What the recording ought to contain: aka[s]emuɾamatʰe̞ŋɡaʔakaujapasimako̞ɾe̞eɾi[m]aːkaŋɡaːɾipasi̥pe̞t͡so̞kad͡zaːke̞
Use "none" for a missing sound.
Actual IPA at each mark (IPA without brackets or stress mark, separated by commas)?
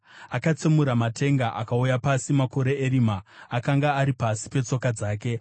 t͡s, m